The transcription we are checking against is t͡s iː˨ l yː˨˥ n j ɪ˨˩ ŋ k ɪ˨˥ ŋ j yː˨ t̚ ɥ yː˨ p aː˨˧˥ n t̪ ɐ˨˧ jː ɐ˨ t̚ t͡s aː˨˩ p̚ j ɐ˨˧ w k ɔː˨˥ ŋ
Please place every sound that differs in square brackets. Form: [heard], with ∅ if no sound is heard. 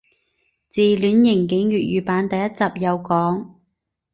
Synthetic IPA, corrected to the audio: t͡s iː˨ l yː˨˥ n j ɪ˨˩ ŋ k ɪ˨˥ ŋ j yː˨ t̚ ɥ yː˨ p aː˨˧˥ n t̪ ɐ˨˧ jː [ɐ˥] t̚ t͡s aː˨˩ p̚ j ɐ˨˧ w k ɔː˨˥ ŋ